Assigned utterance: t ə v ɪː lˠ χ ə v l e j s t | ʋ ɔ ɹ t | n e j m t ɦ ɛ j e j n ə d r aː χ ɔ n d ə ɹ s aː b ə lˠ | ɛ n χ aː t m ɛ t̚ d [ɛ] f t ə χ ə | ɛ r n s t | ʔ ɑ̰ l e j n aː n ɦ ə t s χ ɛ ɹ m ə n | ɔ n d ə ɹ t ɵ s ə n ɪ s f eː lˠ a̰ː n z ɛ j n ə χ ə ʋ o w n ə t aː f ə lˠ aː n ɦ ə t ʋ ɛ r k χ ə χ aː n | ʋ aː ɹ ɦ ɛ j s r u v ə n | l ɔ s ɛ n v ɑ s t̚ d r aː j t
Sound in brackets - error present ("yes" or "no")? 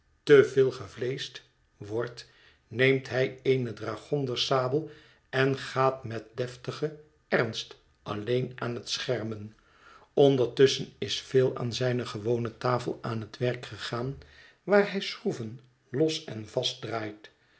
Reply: no